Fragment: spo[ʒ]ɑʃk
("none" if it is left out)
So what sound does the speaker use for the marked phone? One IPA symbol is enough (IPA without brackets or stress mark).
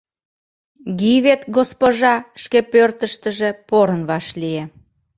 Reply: ʒ